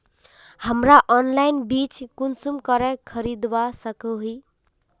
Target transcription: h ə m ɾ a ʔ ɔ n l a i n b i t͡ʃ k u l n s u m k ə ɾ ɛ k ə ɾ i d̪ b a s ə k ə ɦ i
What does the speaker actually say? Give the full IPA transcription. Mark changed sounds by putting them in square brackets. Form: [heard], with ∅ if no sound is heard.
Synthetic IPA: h ə m ɾ a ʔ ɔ n l a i n b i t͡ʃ k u [∅] n s u m k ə ɾ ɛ [kʰ] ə ɾ i d̪ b a s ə k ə ɦ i